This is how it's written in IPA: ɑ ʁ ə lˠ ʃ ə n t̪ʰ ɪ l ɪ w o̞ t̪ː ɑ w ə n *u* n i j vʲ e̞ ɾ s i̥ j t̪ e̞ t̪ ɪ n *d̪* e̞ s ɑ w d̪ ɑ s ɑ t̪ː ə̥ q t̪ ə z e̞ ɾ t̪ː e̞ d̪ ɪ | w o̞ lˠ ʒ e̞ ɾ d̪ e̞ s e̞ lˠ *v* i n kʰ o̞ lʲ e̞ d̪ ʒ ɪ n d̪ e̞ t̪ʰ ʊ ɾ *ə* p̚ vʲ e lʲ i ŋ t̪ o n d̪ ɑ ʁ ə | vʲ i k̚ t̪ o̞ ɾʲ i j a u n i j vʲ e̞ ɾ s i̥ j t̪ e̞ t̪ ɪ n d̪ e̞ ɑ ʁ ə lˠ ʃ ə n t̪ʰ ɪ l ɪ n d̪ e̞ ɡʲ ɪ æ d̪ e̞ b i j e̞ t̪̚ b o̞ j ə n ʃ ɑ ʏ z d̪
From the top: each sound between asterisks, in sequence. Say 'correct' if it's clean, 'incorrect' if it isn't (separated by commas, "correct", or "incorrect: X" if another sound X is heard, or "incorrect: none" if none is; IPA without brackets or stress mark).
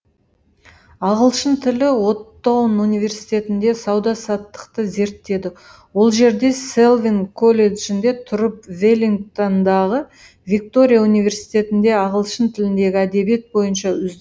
correct, correct, correct, correct